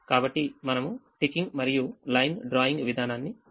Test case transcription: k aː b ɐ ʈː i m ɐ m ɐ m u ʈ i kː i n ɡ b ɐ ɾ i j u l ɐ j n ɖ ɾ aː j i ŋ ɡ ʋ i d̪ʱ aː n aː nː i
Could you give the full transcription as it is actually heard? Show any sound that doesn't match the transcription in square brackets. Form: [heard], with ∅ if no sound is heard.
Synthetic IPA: k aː b ɐ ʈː i m ɐ [n] ɐ m u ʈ i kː i [ŋ] ɡ [m] ɐ ɾ i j u l ɐ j n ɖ ɾ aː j i ŋ ɡ ʋ i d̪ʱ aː n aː nː i